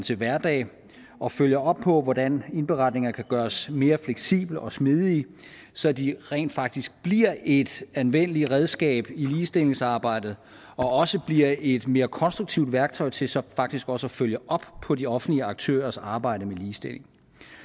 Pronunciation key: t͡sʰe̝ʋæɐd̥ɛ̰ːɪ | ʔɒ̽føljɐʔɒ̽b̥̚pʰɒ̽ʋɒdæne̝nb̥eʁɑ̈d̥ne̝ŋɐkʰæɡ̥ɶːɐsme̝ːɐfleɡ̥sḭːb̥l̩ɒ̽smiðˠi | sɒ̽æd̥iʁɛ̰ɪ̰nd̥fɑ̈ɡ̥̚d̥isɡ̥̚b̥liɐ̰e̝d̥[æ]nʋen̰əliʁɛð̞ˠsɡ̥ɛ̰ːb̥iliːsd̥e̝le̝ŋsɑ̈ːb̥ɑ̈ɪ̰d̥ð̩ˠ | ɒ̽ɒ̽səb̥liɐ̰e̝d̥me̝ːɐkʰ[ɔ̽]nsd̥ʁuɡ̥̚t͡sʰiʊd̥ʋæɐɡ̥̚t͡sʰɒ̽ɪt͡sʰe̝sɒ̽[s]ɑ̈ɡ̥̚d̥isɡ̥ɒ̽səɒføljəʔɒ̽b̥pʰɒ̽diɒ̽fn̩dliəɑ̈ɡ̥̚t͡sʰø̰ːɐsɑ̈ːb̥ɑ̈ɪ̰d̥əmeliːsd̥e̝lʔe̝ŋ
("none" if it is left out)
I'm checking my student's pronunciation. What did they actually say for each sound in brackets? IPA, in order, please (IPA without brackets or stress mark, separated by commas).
æ, ɒ̽, f